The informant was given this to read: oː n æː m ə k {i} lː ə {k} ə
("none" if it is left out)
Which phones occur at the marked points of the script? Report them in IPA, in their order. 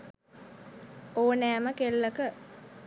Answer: e, k

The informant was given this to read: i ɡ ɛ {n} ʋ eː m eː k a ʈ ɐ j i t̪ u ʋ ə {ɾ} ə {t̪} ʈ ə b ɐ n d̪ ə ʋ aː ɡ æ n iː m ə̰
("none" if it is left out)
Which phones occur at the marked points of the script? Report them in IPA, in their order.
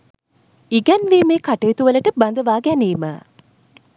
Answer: n, l, none

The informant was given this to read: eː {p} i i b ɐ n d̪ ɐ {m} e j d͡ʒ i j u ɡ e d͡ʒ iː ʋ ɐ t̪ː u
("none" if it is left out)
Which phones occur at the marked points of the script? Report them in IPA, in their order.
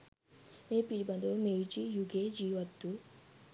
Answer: p, m

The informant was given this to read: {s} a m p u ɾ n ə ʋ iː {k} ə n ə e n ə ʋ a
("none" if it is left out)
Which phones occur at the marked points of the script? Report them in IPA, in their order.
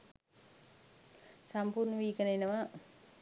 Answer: s, k

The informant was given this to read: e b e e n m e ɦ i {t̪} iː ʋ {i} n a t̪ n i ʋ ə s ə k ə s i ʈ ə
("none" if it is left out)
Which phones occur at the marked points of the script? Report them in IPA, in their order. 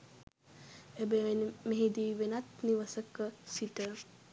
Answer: d̪, e

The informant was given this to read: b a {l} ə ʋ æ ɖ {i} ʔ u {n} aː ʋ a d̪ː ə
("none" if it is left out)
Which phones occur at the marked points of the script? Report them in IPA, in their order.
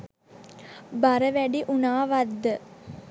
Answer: ɾ, i, n

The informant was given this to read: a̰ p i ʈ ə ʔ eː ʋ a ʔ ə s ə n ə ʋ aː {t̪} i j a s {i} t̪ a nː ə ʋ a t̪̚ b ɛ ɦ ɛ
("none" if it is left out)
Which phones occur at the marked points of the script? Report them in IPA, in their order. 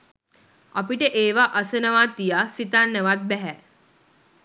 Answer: t̪, i

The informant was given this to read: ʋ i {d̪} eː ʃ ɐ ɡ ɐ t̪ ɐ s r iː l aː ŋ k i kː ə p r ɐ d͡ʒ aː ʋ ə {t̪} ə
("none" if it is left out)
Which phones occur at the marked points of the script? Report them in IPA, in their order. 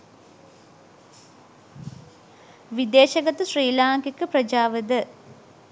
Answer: d̪, d̪

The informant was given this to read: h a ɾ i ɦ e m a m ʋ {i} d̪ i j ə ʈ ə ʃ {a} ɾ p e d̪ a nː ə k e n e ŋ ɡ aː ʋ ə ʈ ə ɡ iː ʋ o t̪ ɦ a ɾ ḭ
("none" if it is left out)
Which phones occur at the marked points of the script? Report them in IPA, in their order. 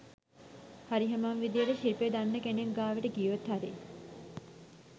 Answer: i, i

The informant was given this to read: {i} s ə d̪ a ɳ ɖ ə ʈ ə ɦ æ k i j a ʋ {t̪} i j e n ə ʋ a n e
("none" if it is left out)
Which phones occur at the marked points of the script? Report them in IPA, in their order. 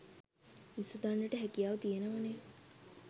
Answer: i, t̪

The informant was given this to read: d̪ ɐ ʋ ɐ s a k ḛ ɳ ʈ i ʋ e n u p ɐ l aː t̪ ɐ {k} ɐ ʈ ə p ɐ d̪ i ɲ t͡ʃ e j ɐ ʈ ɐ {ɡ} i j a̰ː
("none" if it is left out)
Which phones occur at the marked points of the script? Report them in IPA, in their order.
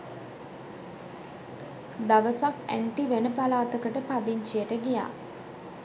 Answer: k, ɡ

